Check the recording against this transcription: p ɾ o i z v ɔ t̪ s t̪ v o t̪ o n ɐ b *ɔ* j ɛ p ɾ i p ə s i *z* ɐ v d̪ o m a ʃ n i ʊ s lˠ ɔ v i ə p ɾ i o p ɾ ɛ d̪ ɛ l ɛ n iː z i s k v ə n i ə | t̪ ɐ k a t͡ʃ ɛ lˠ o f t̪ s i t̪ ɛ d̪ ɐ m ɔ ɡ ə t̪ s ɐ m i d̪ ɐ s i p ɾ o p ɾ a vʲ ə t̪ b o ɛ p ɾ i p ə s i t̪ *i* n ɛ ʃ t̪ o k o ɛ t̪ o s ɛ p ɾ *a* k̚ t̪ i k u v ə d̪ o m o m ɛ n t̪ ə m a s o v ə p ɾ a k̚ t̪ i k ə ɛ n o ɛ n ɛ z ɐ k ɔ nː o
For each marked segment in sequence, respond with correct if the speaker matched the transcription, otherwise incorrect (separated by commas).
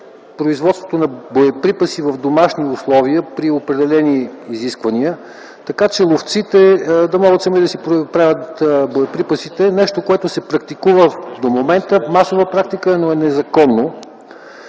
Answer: incorrect, incorrect, incorrect, incorrect